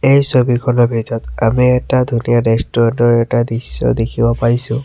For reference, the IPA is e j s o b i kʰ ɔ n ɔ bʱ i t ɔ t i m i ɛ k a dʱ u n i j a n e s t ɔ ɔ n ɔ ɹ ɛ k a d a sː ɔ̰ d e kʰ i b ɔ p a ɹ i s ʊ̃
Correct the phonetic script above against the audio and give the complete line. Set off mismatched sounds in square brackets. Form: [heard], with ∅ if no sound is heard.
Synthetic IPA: e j s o b i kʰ ɔ n ɔ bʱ i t ɔ t [a] m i ɛ [t] a dʱ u n i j a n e s t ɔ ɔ n ɔ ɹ ɛ [t] a d [i] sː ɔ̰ d e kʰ i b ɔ p a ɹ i s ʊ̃